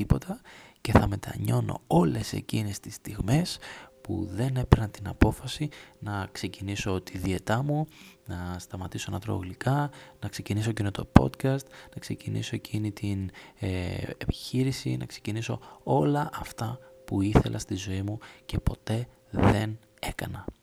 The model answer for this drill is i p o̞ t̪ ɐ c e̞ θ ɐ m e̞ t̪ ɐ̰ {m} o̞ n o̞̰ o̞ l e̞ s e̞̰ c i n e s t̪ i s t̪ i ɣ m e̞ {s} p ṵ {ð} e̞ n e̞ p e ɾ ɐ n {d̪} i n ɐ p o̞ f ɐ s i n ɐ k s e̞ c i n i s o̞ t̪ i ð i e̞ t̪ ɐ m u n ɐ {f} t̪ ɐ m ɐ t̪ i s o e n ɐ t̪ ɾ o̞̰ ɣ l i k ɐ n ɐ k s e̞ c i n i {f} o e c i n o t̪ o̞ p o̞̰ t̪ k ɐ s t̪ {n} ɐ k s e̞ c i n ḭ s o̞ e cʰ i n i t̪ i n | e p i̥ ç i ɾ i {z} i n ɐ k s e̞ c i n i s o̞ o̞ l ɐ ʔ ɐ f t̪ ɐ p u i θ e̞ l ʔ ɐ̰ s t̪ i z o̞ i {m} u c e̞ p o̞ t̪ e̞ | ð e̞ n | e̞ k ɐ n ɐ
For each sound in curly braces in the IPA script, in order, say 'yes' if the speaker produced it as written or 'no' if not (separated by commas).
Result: no, yes, yes, no, no, no, yes, no, yes